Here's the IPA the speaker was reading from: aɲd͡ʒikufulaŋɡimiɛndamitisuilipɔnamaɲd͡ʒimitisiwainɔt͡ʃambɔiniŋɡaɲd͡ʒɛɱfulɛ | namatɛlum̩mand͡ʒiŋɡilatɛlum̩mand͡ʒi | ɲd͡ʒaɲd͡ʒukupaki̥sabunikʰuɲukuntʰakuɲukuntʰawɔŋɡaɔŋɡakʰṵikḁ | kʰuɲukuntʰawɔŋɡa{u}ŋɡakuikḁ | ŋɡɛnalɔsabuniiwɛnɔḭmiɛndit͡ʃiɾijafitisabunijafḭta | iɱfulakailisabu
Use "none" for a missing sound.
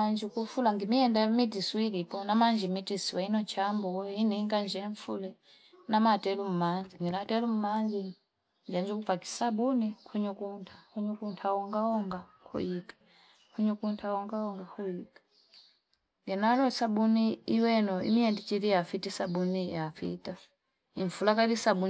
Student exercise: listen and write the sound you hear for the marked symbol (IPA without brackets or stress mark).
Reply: ɔ